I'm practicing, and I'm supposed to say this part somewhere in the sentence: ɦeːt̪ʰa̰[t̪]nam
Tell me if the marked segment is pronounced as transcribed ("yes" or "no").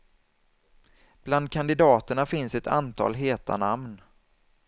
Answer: no